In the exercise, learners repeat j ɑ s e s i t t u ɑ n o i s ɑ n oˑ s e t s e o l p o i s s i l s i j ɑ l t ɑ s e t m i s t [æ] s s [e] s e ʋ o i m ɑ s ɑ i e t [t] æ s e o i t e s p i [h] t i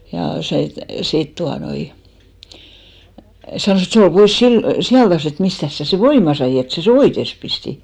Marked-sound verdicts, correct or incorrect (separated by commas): correct, incorrect, incorrect, incorrect